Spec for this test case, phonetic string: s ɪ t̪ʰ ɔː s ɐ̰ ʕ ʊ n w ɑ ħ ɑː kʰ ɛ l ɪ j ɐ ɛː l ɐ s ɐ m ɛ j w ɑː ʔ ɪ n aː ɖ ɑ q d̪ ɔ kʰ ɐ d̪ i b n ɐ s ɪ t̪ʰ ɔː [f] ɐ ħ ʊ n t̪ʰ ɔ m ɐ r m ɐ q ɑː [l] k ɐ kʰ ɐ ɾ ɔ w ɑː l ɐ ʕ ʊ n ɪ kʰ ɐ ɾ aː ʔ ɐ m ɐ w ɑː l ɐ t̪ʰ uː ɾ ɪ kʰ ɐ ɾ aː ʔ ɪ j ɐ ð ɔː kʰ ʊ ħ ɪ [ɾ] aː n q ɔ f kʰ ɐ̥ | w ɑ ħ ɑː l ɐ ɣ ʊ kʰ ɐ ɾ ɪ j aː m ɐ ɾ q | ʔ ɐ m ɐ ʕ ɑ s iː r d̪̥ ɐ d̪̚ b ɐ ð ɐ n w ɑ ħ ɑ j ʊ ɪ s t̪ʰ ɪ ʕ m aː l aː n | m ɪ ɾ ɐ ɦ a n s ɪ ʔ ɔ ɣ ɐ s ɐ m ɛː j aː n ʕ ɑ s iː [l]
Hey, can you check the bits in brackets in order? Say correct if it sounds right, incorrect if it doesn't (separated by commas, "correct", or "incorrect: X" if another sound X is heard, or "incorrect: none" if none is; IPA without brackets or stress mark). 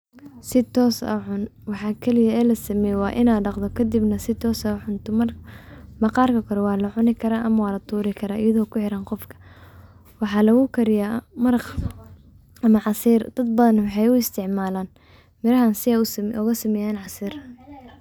incorrect: s, incorrect: r, correct, incorrect: r